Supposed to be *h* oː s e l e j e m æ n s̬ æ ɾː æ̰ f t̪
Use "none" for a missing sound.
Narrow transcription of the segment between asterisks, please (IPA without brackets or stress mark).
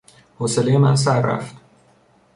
h